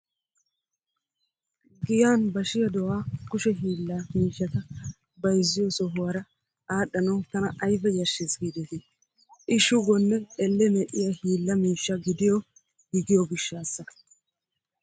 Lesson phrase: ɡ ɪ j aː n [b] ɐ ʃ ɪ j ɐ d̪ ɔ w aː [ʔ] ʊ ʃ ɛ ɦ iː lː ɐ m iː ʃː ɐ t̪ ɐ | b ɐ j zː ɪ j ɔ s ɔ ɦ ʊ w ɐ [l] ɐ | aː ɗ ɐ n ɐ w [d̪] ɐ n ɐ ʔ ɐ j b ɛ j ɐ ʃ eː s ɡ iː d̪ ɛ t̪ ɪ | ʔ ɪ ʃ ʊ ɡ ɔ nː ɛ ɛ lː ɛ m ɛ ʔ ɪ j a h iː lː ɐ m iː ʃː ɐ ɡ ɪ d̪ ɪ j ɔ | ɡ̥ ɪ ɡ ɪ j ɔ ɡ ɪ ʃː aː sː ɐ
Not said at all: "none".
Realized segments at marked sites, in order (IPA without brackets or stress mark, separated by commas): b, k, ɾ, t̪